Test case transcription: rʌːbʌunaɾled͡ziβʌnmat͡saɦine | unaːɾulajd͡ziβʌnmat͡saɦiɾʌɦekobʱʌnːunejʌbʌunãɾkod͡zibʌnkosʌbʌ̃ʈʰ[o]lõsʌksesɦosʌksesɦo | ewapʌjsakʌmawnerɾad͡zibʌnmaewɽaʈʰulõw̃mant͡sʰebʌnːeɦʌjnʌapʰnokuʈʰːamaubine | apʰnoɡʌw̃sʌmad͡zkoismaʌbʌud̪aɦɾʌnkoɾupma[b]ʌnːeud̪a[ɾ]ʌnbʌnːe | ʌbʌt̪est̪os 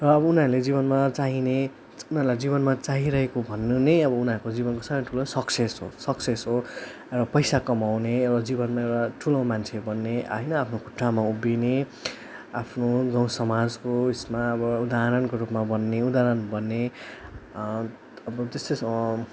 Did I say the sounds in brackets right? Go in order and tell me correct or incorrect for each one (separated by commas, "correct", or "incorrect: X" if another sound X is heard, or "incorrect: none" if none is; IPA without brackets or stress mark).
incorrect: u, correct, correct